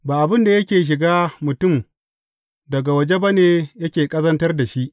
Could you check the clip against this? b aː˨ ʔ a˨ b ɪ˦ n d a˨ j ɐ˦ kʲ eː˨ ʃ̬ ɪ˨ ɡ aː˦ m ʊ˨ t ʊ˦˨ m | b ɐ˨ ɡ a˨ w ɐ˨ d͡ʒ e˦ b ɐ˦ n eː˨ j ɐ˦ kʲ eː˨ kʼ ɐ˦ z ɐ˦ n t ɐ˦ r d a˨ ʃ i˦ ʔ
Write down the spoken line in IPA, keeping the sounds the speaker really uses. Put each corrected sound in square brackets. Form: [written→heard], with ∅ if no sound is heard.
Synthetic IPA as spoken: b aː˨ ʔ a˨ b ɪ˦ n d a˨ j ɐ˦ kʲ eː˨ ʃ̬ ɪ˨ ɡ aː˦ m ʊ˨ t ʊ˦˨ m | [b→d] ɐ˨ ɡ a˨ w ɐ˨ d͡ʒ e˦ b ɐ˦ n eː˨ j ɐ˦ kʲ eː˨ kʼ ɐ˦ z ɐ˦ n t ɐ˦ r d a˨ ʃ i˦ ʔ